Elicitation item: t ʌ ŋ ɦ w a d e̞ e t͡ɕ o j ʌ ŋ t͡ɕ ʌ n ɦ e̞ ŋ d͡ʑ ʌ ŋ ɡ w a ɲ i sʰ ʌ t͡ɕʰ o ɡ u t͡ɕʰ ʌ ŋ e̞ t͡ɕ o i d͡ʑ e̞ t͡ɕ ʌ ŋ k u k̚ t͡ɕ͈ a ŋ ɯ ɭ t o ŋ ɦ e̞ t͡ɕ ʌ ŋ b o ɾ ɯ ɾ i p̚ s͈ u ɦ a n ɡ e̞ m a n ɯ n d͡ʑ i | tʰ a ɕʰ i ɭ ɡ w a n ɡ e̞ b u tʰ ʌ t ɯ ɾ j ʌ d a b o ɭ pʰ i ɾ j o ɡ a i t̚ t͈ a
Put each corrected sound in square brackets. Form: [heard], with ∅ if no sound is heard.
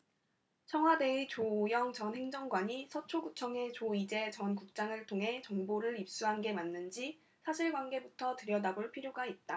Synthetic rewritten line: [t͡ɕʰ] ʌ ŋ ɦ w a d e̞ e t͡ɕ o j ʌ ŋ t͡ɕ ʌ n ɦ e̞ ŋ d͡ʑ ʌ ŋ ɡ w a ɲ i sʰ ʌ t͡ɕʰ o ɡ u t͡ɕʰ ʌ ŋ e̞ t͡ɕ o i d͡ʑ e̞ t͡ɕ ʌ [n] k u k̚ t͡ɕ͈ a ŋ ɯ ɭ [tʰ] o ŋ ɦ e̞ t͡ɕ ʌ ŋ b o ɾ ɯ ɾ i p̚ s͈ u ɦ a n ɡ e̞ m a [nː] ɯ n d͡ʑ i | [sʰ] a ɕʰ i ɭ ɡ w a n ɡ e̞ b u tʰ ʌ t ɯ ɾ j ʌ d a b o ɭ pʰ i ɾ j o ɡ a i t̚ t͈ a